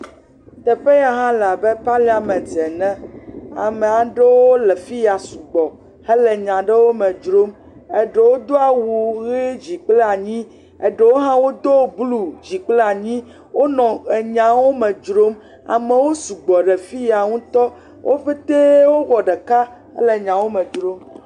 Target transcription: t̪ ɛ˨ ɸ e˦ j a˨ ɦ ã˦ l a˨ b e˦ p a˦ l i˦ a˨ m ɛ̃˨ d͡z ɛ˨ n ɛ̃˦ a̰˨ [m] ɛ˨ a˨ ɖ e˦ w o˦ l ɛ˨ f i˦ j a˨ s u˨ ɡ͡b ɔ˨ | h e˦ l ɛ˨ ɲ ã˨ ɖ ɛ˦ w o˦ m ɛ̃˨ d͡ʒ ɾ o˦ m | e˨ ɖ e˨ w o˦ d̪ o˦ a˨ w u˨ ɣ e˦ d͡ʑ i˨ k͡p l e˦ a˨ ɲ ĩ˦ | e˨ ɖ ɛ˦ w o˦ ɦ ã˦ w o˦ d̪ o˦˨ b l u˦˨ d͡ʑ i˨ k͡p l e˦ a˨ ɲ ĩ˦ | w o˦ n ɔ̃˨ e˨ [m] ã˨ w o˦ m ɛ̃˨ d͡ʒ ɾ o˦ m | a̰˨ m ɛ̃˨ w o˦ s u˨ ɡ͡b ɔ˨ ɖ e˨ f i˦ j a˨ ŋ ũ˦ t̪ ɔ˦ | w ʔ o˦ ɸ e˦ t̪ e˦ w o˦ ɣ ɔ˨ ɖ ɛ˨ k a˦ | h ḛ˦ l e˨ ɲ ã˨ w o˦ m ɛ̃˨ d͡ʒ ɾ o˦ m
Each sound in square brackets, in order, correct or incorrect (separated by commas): correct, incorrect